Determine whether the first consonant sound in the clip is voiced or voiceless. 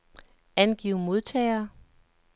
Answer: voiced